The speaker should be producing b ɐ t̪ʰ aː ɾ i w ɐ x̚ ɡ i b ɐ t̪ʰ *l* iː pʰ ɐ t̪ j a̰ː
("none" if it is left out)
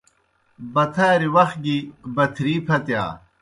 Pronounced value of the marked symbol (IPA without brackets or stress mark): ɾ